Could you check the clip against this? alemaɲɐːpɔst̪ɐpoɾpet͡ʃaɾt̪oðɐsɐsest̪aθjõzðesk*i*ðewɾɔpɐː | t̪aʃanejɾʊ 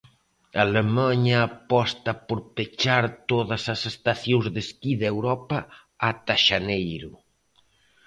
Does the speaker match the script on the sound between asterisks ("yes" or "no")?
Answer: yes